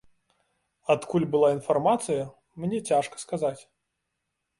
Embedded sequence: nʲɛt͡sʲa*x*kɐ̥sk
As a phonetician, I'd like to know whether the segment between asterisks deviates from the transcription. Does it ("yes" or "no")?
yes